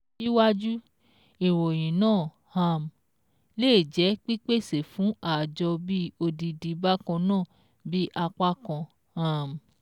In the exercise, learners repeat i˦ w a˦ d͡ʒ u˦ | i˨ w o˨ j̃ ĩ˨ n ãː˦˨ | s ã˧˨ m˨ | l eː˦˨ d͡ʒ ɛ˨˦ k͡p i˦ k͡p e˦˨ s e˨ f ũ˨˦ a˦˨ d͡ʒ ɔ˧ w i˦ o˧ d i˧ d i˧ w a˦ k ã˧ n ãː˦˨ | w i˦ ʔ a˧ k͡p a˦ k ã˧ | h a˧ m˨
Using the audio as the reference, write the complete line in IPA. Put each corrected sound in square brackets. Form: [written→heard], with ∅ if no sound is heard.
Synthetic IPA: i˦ w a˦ d͡ʒ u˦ | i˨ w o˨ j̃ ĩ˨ n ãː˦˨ | [s→h] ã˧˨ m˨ | l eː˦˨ d͡ʒ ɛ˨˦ k͡p i˦ k͡p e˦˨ s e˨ f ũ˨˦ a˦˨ d͡ʒ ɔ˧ [w→b] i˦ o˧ d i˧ d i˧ [w→b] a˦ k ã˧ n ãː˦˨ | [w→b] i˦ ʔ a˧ k͡p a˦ k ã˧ | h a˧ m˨